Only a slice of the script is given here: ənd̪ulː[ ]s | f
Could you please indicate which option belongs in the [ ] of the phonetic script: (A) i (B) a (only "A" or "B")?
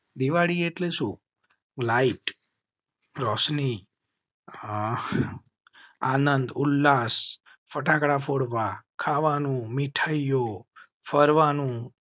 B